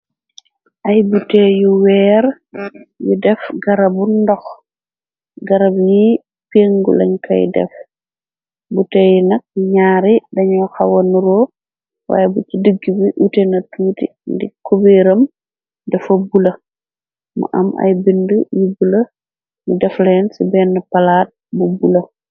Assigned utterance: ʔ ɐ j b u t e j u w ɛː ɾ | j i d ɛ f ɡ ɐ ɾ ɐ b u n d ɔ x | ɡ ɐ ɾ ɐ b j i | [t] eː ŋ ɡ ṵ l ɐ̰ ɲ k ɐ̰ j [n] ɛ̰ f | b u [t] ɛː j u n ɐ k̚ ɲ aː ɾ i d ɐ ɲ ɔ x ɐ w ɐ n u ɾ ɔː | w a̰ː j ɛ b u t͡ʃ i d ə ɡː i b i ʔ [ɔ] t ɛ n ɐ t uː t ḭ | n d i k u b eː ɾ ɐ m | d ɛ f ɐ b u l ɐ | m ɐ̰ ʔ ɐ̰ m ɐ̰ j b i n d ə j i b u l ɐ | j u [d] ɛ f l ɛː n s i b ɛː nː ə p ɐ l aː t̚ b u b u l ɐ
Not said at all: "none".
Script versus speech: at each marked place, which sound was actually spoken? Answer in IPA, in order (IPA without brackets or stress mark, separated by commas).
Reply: p, d, t, u, d